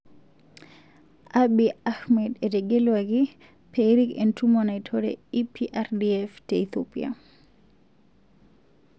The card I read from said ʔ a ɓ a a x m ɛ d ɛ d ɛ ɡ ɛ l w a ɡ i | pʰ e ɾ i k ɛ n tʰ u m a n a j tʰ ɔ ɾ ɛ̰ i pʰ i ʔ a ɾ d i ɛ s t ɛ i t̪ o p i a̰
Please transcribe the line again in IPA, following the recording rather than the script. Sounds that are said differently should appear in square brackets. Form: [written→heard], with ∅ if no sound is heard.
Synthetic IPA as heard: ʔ a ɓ [a→i] a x m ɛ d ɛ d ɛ ɡ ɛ l w a ɡ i | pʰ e ɾ i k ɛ n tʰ u m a n a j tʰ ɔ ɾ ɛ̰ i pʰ i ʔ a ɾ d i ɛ [s→f] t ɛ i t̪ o p i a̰